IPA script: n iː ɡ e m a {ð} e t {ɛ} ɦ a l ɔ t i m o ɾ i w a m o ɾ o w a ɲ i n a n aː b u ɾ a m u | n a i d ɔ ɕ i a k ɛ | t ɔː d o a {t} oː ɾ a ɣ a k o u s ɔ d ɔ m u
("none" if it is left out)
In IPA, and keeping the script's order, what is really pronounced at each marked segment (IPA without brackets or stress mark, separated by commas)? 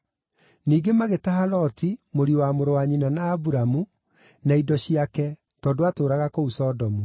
ɣ, a, t